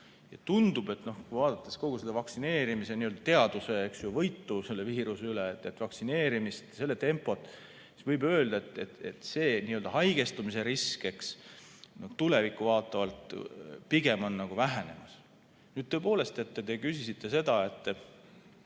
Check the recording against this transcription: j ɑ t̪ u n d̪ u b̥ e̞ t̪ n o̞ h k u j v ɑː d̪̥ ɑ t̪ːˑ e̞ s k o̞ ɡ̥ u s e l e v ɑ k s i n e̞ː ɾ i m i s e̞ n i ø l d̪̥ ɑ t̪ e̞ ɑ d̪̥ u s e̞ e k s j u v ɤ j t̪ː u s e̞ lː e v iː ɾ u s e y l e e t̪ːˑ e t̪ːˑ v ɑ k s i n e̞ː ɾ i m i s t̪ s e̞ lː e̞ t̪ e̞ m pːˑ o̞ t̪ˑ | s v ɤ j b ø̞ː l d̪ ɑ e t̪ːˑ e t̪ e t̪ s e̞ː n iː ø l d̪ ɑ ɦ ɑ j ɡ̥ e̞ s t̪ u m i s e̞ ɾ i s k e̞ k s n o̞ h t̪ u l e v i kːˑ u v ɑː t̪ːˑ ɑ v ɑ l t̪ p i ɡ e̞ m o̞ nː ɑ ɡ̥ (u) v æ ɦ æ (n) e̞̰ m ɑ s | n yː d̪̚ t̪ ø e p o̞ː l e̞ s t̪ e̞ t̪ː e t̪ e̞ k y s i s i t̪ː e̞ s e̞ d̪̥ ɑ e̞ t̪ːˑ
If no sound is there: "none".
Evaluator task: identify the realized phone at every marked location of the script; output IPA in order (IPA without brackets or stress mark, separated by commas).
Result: u, n